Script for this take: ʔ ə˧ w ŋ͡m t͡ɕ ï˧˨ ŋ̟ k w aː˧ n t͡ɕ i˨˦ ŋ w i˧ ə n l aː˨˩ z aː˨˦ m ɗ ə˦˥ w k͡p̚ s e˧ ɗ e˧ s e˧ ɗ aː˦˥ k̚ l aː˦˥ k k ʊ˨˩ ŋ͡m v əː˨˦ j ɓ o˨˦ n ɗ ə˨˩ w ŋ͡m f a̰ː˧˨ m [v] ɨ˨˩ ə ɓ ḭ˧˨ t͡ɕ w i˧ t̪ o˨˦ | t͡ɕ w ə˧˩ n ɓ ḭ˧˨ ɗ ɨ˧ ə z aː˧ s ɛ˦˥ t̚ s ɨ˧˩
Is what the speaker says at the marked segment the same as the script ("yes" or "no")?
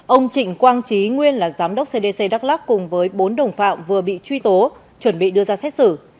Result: yes